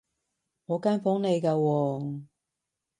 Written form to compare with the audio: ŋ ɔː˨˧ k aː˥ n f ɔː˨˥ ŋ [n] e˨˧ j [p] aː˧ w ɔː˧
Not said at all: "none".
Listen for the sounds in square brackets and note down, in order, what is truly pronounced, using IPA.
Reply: n, k

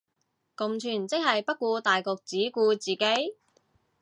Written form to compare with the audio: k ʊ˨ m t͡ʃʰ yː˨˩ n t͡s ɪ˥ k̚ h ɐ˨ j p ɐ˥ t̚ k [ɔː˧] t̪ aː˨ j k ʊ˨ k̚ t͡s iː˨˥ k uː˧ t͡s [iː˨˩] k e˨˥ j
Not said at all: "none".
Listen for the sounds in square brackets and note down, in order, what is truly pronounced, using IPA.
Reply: uː˧, iː˨˩

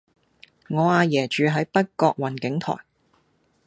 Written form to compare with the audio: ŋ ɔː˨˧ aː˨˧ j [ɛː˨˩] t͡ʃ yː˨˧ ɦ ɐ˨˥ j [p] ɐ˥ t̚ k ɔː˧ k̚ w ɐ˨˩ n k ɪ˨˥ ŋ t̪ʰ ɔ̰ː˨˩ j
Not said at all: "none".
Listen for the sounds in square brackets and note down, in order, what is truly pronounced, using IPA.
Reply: ɛː˨˩, p

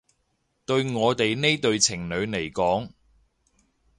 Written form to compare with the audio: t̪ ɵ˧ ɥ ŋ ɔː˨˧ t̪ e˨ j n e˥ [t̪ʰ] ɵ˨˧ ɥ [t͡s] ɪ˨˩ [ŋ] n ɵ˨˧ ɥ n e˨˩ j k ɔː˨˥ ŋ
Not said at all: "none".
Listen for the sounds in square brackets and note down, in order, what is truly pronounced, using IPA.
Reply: t̪, t͡sʰ, ŋ

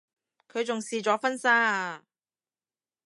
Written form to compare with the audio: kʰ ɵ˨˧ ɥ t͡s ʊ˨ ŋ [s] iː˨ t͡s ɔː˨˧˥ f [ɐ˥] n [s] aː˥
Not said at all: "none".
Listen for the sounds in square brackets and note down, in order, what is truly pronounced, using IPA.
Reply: s, ɐ˥, s

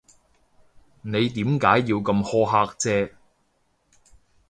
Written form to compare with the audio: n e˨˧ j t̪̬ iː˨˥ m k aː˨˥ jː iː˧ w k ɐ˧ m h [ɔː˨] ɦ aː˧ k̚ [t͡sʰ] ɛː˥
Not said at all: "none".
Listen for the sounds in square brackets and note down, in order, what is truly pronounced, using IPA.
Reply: ɔː˥, t͡s

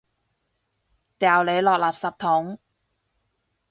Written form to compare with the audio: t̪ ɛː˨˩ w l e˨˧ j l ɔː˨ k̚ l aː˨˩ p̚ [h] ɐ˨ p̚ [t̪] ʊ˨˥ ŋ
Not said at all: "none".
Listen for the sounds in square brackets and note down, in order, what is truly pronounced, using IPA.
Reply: s, t̪ʰ

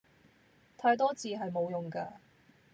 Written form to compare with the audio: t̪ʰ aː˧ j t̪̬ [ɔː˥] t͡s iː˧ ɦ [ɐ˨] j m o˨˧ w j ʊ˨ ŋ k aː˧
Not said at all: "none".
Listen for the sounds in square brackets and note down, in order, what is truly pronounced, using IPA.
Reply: ɔː˥, ɐ˨

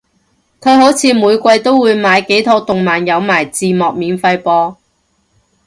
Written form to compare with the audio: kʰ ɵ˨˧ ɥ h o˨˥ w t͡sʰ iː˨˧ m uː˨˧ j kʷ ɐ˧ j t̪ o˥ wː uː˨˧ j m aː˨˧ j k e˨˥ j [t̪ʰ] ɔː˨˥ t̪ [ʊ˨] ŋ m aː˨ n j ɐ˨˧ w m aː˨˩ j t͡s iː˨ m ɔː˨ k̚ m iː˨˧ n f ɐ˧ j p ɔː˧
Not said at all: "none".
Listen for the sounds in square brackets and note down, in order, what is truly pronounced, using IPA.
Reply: t̪ʰ, ʊ˨

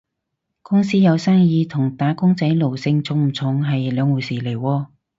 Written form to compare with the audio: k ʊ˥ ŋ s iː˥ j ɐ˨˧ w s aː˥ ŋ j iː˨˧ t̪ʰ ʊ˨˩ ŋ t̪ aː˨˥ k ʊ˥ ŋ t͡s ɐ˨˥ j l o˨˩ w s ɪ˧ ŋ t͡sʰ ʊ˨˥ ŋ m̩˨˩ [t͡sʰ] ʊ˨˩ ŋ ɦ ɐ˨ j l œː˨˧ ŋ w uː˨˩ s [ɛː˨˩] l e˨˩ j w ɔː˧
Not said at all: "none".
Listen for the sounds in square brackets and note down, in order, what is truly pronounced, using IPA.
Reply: t͡sʰ, iː˨˩

